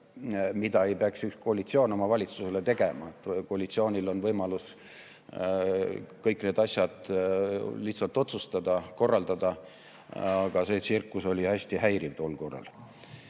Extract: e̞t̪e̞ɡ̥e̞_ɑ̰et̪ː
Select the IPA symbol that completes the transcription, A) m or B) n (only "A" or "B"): A